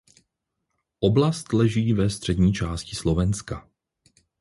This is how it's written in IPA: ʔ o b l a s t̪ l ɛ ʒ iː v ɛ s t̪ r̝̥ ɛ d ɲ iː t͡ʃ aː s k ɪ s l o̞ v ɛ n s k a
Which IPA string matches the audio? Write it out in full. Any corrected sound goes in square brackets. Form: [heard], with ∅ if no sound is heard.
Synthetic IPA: ʔ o b l a s t̪ l ɛ ʒ iː v ɛ s t̪ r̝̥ ɛ d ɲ iː t͡ʃ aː s [c] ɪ s l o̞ v ɛ n s k a